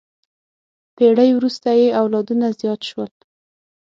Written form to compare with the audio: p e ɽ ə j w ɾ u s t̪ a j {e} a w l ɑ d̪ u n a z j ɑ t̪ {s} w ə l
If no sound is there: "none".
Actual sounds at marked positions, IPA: e, ʃ

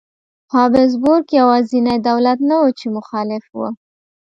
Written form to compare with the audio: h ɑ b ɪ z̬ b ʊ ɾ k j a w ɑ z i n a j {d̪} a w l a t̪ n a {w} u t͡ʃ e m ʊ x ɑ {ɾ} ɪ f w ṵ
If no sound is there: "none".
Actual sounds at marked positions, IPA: d̪, w, l

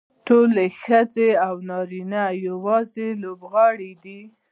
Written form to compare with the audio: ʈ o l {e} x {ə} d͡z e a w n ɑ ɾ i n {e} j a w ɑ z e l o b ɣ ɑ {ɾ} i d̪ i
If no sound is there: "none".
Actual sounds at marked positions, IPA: e, ə, a, ɽ

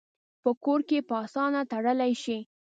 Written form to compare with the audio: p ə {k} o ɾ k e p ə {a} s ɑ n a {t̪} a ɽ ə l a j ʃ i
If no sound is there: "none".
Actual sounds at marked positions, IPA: k, ɑ, t̪

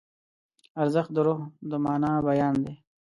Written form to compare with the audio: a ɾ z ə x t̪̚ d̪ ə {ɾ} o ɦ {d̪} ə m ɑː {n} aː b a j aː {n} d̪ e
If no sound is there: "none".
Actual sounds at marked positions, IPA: ɾ, d̪, n, n

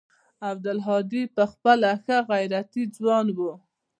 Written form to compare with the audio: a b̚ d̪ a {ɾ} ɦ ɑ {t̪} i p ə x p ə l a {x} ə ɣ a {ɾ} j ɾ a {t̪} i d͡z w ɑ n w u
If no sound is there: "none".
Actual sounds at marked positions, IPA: l, d̪, x, none, t̪

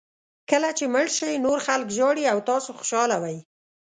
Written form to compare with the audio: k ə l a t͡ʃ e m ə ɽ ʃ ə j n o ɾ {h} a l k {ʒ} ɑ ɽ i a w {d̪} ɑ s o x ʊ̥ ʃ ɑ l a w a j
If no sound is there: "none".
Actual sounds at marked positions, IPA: x, ʒ, t̪

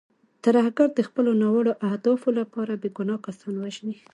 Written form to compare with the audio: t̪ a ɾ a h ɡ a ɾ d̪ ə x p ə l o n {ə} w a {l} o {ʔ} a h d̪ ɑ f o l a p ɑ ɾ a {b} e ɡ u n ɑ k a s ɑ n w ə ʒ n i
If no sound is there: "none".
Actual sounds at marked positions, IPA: ɑ, ɽ, ʔ, b

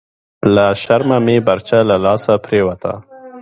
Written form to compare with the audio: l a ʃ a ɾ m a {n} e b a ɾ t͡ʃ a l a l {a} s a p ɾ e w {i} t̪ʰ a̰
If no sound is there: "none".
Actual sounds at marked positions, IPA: m, ɑ, a

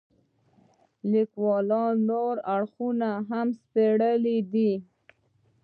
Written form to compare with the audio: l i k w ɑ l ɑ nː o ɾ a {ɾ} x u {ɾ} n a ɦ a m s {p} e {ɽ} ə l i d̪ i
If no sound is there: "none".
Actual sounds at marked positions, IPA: ɽ, none, p, ɽ

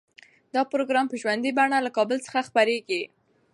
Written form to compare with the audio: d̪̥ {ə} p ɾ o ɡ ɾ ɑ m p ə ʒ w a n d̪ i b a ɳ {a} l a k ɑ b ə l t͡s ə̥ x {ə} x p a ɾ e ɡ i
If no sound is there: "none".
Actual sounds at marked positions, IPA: ɑ, a, a

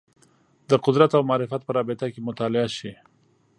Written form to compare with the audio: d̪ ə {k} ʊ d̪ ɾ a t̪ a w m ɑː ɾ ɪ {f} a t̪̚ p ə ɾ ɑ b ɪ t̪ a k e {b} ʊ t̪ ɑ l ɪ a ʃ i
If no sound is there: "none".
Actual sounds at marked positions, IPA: q, f, m

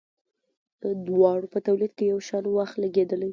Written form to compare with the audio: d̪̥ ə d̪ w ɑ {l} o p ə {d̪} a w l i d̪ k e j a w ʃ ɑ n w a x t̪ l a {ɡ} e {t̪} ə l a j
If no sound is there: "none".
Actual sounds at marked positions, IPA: ɽ, t̪, ɡ, d̪

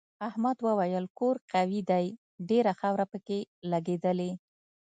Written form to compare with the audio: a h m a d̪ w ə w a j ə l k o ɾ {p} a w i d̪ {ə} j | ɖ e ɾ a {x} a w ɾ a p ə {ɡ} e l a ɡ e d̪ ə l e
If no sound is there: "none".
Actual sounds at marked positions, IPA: q, a, x, k

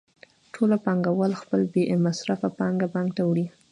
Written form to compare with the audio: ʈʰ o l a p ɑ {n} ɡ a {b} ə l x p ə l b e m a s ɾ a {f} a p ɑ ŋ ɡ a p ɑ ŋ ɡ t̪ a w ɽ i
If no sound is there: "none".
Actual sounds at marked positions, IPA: ŋ, w, f

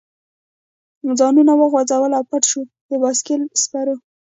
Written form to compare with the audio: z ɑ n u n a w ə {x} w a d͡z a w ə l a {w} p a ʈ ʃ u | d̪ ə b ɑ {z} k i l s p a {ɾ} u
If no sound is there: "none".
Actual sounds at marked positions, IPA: ɣ, w, s, ɾ

